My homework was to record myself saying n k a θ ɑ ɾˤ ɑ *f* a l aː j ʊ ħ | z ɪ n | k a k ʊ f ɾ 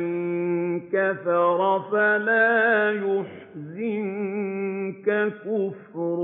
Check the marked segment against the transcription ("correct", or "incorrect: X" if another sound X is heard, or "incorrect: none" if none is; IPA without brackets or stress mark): correct